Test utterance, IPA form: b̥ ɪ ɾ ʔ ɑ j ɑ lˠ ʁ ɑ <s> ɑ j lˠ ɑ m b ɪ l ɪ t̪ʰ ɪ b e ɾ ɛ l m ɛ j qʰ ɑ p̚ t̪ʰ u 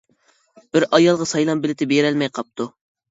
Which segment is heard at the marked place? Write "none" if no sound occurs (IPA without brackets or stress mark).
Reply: s